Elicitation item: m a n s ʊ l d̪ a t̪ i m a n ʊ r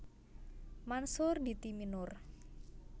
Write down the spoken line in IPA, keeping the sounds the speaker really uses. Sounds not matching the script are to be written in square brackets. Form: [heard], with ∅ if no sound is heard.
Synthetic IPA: m a n s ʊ [r] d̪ [i] t̪ i m [i] n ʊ r